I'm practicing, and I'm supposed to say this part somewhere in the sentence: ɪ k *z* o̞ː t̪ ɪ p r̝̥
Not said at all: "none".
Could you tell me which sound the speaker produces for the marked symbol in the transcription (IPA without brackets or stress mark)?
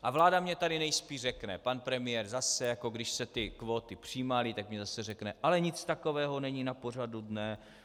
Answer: v